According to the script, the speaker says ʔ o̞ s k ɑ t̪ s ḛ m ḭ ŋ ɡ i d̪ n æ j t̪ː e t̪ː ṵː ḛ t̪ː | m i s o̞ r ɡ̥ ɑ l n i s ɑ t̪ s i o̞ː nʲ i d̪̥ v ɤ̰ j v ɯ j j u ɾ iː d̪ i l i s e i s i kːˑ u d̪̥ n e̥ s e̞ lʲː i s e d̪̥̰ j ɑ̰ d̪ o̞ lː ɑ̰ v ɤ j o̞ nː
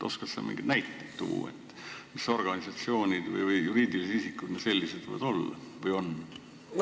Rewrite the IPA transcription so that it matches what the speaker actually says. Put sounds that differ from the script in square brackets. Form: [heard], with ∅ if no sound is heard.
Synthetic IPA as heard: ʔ o̞ s k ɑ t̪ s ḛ m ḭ ŋ ɡ i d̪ n æ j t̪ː e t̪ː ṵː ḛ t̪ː | m i s o̞ r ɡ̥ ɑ [∅] n i s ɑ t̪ s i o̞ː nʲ i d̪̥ v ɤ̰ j v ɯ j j u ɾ iː d̪ i l i s e i s i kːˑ u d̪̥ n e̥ s e̞ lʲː i s e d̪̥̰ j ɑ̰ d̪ o̞ lː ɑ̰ v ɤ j o̞ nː